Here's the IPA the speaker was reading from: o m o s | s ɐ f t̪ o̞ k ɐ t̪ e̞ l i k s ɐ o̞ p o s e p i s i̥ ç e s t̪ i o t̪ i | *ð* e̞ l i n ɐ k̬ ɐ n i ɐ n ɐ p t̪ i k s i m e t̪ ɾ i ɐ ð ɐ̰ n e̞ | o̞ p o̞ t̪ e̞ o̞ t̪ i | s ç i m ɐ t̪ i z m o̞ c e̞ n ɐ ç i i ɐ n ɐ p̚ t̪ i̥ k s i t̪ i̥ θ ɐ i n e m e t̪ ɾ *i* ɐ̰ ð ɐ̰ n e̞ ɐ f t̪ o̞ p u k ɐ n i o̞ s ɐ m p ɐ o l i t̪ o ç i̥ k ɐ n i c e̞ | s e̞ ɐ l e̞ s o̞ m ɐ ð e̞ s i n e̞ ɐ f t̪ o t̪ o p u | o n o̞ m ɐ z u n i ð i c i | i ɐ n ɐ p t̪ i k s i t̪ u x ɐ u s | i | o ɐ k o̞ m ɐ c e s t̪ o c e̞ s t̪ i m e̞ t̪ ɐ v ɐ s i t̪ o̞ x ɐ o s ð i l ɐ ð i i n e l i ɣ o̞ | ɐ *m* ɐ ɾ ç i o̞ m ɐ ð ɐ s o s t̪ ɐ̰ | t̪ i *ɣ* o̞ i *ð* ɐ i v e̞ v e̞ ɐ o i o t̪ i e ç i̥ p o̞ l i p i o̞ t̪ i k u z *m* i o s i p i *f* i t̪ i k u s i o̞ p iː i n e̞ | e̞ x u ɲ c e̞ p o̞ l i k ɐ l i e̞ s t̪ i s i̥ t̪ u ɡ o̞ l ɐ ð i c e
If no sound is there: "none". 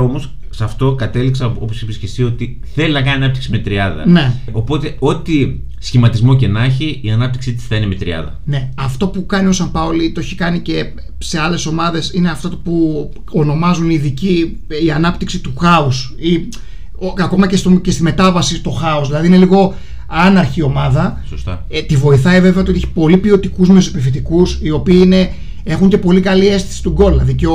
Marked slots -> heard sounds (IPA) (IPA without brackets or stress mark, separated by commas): θ, i, n, v, θ, m, f